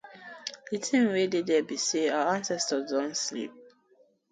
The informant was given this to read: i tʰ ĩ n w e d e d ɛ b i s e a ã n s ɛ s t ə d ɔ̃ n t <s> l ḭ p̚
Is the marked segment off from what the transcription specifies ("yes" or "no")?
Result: no